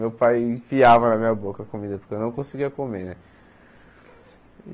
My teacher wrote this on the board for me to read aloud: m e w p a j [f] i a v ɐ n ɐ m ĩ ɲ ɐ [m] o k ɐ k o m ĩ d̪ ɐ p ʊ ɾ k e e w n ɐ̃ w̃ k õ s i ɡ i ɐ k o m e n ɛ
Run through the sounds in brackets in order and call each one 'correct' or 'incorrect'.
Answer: correct, incorrect

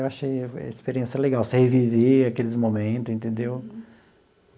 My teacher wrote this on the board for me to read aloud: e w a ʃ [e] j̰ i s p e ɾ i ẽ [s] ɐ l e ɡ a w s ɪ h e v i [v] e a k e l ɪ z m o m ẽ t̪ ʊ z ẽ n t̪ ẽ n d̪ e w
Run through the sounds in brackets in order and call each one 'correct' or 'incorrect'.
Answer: correct, correct, correct

